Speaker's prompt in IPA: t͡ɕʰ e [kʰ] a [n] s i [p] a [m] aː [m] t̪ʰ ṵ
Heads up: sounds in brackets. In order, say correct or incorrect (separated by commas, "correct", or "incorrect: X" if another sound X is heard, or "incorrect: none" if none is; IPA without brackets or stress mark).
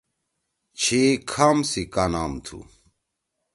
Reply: correct, incorrect: m, incorrect: k, incorrect: n, correct